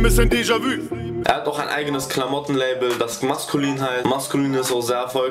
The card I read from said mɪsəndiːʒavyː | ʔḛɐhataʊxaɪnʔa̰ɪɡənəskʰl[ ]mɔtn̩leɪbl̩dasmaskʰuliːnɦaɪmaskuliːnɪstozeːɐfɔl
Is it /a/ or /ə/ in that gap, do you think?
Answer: a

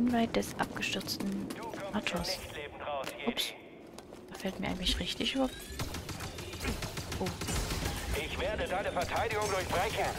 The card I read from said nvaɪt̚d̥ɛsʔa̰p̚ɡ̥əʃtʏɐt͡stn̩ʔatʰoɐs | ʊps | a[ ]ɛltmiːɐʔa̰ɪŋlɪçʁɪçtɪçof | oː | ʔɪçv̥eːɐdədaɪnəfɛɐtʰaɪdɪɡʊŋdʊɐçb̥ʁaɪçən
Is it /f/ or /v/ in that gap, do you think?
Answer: f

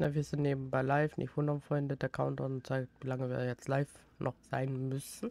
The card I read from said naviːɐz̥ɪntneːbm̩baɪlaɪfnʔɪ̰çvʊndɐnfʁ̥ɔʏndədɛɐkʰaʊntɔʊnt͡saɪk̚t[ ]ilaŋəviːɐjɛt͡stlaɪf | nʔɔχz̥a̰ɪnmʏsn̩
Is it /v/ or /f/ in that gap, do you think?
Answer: v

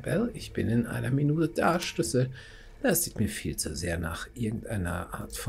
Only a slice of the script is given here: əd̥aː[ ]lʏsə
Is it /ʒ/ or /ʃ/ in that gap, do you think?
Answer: ʃ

